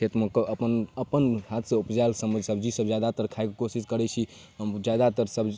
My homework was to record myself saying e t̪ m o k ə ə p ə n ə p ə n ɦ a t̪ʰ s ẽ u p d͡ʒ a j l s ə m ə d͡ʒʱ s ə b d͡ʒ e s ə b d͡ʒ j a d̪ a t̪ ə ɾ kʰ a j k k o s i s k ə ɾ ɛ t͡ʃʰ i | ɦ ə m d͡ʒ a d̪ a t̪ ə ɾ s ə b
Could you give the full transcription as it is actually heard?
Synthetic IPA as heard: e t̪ m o k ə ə p ə n ə p ə n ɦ a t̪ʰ s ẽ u p d͡ʒ a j l s ə m ə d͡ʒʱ s ə b d͡ʒ i s ə b d͡ʒ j a d̪ a t̪ ə ɾ kʰ a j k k o s i s k ə ɾ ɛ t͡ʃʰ i | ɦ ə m d͡ʒ a d̪ a t̪ ə ɾ s ə b